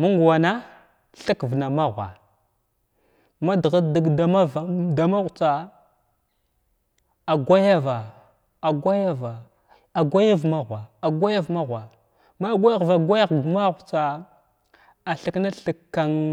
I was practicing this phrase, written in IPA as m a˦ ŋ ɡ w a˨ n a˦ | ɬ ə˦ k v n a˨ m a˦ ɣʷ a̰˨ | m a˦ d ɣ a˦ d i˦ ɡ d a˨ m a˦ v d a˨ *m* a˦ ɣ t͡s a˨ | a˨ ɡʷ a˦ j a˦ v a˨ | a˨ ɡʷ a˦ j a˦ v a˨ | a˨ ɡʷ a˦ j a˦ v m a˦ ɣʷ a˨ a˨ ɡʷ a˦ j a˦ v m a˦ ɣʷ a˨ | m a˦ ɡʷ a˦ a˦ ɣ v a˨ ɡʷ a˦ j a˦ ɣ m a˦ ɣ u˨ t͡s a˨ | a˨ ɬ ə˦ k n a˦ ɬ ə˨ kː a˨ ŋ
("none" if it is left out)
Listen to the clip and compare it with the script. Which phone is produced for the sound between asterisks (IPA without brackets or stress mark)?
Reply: m